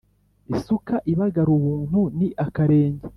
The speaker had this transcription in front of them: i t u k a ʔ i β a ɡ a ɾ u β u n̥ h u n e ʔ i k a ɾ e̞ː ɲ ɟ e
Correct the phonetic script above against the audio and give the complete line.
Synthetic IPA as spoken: i s u k a ʔ i β a ɡ a ɾ u β uː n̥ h u n i ʔ a k a ɾ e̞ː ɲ ɟ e